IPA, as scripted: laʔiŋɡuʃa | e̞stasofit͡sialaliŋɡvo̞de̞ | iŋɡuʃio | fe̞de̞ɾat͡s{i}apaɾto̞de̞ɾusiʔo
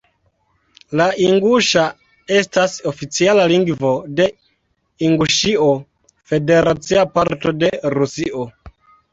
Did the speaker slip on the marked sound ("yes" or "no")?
no